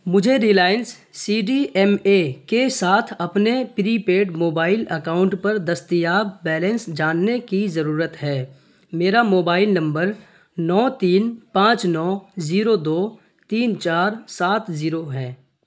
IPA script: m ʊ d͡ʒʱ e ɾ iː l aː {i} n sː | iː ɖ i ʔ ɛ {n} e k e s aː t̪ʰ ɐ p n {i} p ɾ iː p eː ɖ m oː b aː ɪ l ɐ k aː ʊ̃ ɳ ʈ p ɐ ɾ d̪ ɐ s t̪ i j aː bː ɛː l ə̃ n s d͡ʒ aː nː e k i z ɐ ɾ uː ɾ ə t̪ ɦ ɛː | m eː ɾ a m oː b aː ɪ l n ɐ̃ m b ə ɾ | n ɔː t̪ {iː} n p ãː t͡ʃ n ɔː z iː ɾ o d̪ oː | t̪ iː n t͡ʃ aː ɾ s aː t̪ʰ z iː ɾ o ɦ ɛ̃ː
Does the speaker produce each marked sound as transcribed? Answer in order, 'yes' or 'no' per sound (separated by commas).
no, no, no, yes